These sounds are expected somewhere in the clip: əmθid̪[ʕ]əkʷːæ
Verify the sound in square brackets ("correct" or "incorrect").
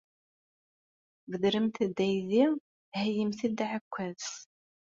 correct